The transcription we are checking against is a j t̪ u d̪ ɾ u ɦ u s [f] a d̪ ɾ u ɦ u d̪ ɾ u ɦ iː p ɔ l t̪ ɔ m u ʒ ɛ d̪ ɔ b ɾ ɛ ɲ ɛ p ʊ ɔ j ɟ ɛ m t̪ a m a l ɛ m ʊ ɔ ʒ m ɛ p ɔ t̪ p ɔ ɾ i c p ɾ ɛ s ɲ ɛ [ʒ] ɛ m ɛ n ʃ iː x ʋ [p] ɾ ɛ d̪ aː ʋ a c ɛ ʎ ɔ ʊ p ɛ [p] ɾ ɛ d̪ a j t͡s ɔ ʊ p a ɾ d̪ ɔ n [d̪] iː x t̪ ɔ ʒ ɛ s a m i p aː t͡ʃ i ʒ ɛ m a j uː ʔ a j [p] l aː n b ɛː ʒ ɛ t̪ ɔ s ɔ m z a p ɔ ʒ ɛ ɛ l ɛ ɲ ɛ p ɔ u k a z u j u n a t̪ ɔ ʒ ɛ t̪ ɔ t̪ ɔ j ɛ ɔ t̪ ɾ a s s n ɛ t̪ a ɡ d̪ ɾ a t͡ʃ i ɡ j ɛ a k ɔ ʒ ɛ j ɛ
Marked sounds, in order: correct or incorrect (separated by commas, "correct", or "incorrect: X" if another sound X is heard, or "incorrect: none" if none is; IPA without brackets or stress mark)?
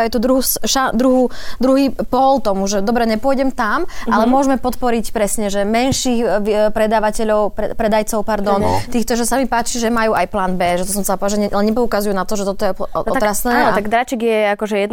incorrect: ʃ, correct, correct, correct, incorrect: t̪, correct